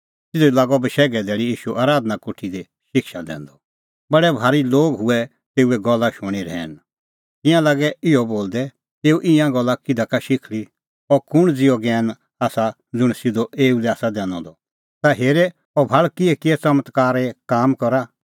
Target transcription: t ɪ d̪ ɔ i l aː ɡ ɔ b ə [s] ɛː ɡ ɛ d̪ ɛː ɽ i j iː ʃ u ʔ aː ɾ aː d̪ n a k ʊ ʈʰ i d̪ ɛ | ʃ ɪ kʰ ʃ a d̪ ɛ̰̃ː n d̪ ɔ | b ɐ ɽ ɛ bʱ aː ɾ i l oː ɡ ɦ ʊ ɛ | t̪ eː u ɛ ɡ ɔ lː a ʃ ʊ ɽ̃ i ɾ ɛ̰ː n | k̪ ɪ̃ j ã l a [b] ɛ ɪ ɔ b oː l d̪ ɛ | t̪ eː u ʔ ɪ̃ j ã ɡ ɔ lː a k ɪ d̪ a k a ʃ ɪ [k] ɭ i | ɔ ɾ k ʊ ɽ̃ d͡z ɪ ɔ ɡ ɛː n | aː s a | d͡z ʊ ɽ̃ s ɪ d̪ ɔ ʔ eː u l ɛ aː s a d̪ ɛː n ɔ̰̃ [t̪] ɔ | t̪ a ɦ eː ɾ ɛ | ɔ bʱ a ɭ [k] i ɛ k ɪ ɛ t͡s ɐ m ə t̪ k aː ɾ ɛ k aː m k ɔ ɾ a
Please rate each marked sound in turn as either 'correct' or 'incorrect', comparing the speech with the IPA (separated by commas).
incorrect, incorrect, incorrect, incorrect, correct